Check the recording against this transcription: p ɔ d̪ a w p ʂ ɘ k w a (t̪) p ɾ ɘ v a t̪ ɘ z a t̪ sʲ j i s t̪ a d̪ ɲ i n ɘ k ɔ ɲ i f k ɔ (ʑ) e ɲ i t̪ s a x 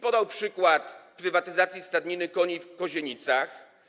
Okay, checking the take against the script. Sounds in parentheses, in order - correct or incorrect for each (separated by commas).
correct, correct